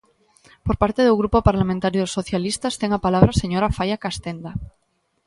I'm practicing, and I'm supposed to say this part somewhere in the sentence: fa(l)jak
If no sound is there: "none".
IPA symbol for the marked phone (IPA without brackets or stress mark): none